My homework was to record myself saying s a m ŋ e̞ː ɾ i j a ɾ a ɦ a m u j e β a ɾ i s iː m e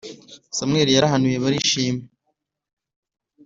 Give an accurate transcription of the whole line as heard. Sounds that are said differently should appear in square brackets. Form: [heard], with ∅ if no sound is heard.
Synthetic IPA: s a m ŋ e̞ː ɾ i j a ɾ a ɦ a [n] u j e β a ɾ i [ʃ] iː m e